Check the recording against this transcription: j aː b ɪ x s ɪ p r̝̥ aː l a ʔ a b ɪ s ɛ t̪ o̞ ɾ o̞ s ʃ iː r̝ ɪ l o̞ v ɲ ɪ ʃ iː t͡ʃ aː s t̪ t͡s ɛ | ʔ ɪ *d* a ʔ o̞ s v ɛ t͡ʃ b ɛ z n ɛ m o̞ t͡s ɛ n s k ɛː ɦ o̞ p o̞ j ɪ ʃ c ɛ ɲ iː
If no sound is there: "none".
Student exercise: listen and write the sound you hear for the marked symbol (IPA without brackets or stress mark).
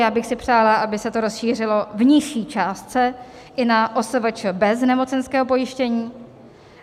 n